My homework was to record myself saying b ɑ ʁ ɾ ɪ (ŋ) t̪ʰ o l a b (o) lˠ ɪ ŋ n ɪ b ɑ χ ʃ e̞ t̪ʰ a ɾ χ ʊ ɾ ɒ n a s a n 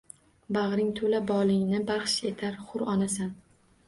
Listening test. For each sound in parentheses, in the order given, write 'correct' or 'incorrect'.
correct, incorrect: ɒ

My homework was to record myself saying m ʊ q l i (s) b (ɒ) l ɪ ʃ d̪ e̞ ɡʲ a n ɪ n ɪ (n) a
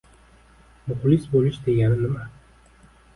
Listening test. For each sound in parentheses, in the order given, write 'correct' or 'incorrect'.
correct, incorrect: o, incorrect: m

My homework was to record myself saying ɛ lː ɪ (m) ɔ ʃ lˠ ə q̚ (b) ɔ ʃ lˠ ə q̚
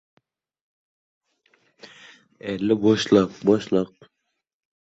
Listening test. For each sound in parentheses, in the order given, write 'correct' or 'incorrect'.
incorrect: b, correct

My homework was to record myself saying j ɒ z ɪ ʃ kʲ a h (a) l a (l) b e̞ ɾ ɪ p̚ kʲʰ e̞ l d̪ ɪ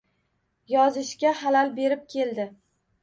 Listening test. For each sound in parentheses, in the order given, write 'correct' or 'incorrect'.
correct, correct

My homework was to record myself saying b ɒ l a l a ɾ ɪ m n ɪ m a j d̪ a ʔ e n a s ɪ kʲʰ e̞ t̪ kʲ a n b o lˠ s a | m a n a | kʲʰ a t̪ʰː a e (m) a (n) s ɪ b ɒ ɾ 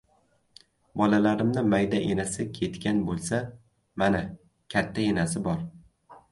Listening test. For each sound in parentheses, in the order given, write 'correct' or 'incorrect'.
incorrect: n, incorrect: none

